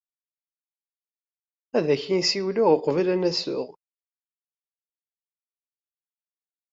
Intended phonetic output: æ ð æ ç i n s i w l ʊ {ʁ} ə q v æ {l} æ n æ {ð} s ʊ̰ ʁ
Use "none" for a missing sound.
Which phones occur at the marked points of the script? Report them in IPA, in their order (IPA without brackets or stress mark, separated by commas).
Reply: ʁ, l, none